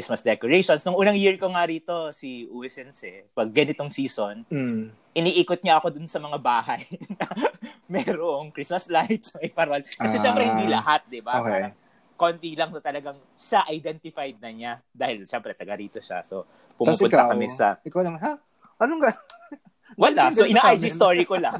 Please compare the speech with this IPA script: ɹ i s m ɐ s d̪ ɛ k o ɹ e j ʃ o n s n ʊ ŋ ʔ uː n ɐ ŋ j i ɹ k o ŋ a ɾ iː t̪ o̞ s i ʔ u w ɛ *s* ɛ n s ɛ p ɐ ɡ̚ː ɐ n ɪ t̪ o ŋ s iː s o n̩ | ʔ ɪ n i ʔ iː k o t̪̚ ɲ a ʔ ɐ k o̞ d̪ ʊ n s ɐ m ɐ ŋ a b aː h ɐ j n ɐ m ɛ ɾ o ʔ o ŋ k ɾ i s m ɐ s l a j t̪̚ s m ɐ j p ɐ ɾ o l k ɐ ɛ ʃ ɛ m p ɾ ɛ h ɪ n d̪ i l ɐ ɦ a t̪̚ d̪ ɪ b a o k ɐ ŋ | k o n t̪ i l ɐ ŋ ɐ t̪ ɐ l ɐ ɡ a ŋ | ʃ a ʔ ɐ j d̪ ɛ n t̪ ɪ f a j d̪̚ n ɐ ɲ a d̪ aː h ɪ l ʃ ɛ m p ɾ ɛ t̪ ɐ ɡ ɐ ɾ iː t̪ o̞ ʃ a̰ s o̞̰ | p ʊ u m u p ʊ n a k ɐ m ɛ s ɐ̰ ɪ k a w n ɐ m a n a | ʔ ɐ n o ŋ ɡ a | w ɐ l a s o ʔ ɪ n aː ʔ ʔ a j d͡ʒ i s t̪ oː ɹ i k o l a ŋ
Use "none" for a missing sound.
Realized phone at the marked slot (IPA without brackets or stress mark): s